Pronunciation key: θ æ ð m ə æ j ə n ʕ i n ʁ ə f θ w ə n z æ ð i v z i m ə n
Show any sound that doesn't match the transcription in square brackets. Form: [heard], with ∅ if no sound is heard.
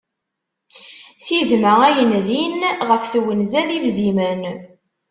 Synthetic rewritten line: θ [i] ð m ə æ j ə n [ð] i n ʁ ə f θ w ə n z æ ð i v z i m ə n

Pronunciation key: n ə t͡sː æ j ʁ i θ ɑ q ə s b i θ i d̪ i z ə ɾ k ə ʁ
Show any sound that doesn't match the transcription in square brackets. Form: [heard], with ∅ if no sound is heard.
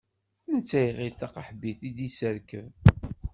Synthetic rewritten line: n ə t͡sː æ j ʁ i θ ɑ q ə [ħ] b i θ i d̪ i [s] ə ɾ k ə [v]

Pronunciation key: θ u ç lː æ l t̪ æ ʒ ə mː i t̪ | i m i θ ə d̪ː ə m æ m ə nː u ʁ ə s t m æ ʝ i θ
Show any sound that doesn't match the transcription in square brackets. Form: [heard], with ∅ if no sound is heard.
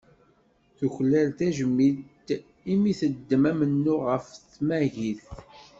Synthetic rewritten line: θ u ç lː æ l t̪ æ ʒ ə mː i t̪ | i m i θ ə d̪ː ə m æ m ə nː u ʁ ə [f] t m æ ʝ i θ

